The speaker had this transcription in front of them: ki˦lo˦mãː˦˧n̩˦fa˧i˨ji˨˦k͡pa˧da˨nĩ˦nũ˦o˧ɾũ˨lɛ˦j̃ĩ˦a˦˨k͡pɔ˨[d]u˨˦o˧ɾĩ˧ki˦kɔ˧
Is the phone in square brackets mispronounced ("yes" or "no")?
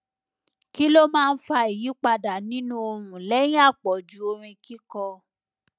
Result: yes